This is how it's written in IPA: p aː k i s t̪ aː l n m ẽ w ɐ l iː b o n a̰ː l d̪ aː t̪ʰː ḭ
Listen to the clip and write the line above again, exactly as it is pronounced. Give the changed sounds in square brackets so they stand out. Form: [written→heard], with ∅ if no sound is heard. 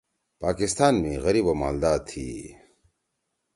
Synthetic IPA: p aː k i s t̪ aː [l→∅] n m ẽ [w→ɣ] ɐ [l→ɾ] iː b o [n→m] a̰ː l d̪ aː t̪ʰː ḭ